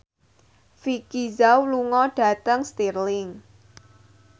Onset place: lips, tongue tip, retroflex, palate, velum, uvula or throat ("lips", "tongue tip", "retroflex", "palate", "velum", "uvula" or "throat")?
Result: lips